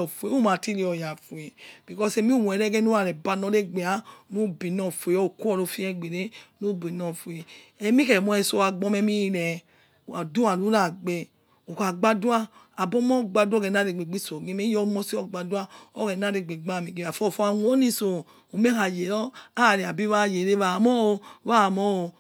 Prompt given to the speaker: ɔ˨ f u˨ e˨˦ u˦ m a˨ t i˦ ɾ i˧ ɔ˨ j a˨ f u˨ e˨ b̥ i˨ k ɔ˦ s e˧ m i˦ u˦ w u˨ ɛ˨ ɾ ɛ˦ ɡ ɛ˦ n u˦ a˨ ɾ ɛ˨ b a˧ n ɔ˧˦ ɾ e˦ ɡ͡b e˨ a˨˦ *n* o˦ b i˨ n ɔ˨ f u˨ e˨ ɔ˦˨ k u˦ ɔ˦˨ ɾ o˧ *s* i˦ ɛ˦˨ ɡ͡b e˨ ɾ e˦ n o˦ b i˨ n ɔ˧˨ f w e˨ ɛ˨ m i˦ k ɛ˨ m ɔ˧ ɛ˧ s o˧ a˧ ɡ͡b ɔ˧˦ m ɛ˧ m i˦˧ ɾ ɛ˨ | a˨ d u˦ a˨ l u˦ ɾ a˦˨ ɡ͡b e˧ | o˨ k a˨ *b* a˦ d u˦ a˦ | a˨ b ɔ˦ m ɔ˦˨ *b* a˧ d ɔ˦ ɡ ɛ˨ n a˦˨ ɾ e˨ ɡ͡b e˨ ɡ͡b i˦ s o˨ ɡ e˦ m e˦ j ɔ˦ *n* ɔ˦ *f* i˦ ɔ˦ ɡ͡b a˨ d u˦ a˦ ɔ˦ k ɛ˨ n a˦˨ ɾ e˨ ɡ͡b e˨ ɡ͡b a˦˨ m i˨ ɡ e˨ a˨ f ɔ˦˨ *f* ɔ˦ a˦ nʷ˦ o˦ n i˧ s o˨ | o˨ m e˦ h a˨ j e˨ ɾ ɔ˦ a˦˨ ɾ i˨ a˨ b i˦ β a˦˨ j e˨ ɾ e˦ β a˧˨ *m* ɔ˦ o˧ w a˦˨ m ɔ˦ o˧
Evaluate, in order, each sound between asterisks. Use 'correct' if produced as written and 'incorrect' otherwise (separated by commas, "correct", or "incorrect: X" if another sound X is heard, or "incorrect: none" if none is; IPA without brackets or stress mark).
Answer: correct, incorrect: f, incorrect: ɡ͡b, incorrect: ɡ͡b, incorrect: m, incorrect: s, correct, correct